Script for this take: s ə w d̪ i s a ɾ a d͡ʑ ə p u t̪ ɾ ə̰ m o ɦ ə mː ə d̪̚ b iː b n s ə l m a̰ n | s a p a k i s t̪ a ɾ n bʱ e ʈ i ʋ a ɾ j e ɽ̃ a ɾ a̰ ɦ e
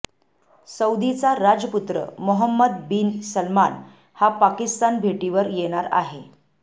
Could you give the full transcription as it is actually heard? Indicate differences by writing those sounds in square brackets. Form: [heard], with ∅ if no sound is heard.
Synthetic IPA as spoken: s ə w d̪ i [t͡s] a ɾ a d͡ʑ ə p u t̪ ɾ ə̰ m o ɦ ə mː ə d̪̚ b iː [∅] n s ə l m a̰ n | [h] a p a k i s t̪ a [∅] n bʱ e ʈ i ʋ [ə] ɾ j e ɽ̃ a ɾ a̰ ɦ e